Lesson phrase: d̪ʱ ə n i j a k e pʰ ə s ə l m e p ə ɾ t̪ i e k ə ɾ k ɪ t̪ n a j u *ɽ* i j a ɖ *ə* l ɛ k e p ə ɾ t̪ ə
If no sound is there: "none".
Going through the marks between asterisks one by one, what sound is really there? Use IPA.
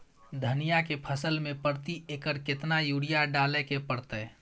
ɽ, a

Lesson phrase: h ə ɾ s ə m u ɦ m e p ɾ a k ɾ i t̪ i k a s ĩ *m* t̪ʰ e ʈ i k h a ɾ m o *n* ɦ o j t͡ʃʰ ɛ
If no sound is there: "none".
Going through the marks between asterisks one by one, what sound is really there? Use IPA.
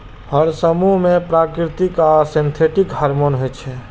n, n

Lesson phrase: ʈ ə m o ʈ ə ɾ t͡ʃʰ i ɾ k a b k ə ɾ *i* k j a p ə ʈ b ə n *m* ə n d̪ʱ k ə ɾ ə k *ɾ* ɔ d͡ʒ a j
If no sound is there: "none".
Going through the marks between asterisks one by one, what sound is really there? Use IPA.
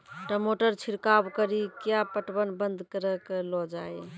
i, b, l

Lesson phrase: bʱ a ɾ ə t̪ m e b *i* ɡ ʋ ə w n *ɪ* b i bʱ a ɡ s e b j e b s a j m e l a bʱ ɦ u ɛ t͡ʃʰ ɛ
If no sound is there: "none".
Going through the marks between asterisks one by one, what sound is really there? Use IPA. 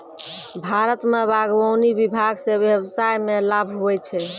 a, i

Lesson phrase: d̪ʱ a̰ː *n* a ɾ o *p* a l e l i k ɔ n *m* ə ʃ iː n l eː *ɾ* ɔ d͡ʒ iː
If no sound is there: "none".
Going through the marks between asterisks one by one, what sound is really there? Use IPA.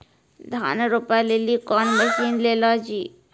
n, p, m, l

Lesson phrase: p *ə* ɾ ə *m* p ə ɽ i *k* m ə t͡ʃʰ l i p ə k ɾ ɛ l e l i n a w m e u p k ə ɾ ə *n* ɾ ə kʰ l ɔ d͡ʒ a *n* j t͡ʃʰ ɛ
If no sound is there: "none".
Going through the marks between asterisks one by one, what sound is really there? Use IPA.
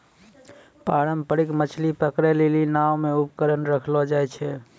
a, m, k, n, none

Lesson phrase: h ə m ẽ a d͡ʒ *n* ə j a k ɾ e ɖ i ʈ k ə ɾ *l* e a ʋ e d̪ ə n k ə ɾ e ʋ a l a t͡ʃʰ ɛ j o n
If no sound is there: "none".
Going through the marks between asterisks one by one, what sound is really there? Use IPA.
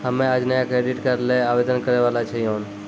n, l

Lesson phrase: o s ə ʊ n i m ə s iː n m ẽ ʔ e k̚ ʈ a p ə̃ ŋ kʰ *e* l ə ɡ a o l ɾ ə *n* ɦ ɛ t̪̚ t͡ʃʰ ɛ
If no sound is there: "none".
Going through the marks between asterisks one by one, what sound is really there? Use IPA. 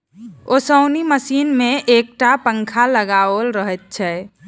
a, none

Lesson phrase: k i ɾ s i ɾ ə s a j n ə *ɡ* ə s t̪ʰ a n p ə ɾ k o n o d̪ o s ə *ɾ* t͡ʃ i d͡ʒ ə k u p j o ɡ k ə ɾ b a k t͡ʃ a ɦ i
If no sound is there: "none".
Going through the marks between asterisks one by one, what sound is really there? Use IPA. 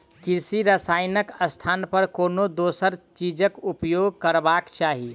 k, ɾ

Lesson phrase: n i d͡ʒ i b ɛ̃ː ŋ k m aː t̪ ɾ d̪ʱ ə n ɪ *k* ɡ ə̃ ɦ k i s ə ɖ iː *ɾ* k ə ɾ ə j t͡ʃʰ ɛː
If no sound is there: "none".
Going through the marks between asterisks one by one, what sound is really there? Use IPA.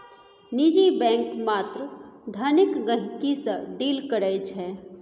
k, l

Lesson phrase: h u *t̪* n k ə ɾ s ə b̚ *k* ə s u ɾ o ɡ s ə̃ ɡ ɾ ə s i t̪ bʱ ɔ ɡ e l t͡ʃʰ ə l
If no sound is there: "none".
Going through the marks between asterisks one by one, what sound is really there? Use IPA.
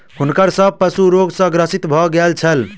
none, p

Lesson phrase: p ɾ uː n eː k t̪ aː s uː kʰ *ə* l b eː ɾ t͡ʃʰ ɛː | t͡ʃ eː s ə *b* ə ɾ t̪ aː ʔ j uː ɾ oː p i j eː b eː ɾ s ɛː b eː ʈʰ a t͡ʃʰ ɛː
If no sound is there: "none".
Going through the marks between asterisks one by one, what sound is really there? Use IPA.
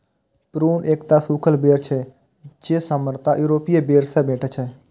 ə, m

